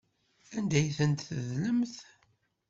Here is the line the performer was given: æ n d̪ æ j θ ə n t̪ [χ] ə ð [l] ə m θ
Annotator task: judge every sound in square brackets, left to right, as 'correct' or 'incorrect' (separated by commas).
incorrect, correct